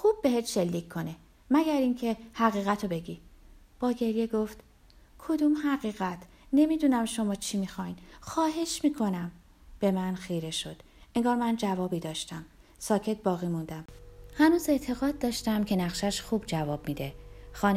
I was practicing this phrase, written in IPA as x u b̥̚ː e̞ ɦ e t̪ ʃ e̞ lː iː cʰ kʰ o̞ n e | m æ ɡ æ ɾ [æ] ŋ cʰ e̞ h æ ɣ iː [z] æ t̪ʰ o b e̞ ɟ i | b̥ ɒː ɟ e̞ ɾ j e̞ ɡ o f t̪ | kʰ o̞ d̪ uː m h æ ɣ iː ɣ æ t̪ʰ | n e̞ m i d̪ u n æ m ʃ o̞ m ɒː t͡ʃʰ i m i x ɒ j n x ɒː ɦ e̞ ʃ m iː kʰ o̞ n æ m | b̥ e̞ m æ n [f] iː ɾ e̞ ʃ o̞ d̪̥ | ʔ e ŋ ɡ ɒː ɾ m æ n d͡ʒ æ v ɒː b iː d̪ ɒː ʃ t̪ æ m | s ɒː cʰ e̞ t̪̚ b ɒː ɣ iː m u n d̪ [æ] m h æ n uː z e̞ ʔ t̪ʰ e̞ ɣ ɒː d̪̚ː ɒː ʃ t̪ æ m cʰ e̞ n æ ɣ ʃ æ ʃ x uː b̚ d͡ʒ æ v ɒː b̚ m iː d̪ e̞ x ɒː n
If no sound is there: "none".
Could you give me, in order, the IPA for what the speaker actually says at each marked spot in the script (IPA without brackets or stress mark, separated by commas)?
i, ɣ, x, æ